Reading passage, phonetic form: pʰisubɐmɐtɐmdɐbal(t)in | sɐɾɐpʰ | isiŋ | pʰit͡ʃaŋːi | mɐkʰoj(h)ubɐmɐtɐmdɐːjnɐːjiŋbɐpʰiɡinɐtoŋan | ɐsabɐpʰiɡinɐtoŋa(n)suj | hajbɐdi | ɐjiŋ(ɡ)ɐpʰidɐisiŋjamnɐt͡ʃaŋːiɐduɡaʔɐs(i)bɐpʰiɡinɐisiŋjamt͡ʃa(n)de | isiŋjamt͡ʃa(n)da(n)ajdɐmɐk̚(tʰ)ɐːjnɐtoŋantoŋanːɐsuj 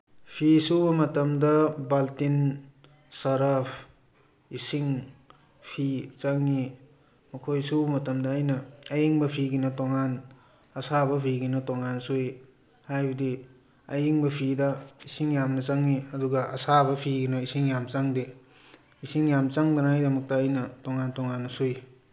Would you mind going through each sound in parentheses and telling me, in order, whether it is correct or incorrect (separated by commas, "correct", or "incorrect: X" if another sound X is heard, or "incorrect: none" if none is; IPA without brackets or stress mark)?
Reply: correct, incorrect: s, correct, incorrect: b, incorrect: a, incorrect: ŋ, incorrect: ŋ, correct, incorrect: t